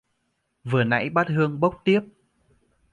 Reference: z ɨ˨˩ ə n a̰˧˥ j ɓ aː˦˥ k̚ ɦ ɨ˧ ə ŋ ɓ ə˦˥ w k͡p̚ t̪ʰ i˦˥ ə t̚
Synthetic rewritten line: v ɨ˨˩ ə n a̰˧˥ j ɓ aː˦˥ t̚ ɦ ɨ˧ ə ŋ ɓ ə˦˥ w k͡p̚ t̪ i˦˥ ə p̚